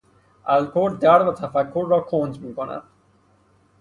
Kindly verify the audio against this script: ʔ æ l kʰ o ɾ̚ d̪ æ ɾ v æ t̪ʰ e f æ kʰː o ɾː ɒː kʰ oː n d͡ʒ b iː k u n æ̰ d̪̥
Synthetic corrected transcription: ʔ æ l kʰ o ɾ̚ d̪ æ ɾ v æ t̪ʰ æ f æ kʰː o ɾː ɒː kʰ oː n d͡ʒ m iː k o n æ̰ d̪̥